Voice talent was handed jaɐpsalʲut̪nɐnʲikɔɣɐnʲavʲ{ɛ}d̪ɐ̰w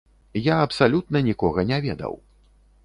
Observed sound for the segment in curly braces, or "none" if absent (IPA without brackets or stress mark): ɛ